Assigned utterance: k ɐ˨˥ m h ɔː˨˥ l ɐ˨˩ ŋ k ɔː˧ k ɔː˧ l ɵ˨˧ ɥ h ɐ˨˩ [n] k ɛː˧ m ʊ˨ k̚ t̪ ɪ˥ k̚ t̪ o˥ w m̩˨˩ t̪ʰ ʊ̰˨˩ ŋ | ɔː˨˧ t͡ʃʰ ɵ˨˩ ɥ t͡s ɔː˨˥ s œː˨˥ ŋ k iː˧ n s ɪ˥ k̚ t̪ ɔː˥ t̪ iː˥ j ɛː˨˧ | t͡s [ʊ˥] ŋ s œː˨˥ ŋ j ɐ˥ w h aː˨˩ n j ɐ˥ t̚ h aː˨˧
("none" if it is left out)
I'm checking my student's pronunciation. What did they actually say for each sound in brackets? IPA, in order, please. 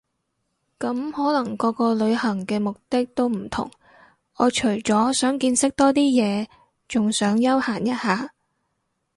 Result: ŋ, ʊ˨

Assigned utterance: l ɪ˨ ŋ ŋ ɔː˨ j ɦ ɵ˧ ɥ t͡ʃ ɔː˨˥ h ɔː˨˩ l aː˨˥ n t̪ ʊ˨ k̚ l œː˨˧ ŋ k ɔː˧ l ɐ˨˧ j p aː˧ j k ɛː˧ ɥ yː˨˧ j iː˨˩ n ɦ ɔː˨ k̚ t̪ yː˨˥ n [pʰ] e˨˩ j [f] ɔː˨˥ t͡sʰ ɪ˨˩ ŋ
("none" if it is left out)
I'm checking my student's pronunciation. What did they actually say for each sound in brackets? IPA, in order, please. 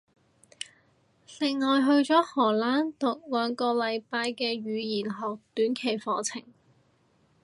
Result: kʰ, f

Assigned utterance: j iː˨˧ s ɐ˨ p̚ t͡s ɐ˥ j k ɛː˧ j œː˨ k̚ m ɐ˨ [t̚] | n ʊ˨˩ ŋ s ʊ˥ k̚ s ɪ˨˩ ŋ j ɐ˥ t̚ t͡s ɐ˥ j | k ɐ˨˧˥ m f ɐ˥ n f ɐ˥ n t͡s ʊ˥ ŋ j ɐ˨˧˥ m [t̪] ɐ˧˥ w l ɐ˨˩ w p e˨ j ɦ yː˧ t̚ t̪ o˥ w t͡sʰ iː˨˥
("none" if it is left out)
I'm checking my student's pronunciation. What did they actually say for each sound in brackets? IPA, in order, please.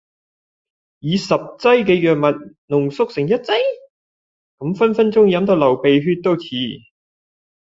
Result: t̚, t̪

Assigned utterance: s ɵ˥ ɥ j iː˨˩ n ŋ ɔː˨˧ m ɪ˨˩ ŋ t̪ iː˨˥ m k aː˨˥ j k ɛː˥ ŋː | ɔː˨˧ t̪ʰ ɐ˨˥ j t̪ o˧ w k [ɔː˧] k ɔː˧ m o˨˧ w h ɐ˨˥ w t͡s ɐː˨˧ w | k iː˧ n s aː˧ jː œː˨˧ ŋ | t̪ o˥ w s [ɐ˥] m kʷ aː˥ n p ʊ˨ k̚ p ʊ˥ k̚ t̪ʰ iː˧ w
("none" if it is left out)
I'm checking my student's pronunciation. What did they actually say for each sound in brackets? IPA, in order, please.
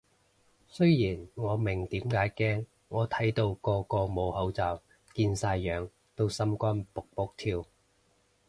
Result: ɔː˧, ɐ˥

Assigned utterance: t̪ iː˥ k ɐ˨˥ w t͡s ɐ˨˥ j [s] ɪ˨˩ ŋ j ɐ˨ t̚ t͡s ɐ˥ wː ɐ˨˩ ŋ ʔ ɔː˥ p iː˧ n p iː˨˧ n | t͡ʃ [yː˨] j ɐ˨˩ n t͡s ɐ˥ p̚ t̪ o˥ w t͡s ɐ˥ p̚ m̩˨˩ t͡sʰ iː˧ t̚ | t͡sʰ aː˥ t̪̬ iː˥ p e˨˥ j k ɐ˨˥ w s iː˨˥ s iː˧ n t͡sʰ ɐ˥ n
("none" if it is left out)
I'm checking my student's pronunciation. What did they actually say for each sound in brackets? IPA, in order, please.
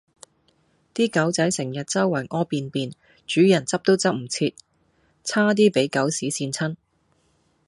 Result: s, yː˨˥

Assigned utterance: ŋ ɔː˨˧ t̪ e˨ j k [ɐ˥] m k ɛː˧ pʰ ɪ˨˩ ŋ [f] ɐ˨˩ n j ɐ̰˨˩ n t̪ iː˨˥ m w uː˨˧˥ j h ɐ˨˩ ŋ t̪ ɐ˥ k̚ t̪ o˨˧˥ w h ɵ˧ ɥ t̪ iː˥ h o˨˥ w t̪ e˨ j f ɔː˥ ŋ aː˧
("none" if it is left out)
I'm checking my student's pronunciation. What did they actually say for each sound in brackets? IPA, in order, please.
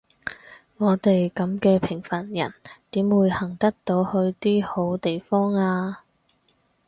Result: ɐ˨˥, f

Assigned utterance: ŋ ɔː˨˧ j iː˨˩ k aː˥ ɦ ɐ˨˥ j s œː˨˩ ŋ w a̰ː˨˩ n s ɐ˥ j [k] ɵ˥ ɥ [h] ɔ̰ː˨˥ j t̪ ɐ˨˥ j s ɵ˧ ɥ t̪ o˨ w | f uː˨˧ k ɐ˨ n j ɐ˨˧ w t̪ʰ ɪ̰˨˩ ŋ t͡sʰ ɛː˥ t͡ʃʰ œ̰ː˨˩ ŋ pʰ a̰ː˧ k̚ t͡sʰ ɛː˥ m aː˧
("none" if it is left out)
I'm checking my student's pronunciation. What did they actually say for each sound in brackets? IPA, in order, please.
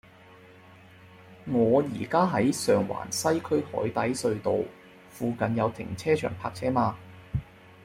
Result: kʰ, h

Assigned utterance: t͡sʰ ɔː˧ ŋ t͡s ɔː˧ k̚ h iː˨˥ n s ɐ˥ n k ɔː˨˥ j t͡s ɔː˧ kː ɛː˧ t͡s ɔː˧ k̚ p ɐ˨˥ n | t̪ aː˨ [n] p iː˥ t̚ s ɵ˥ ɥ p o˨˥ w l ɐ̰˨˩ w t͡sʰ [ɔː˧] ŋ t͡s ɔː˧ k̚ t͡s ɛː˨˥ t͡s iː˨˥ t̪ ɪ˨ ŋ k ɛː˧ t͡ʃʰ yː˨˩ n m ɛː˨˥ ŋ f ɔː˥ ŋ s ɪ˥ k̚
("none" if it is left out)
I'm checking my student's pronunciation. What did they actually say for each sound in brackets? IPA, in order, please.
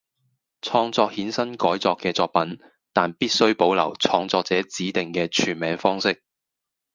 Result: n, ɔː˧

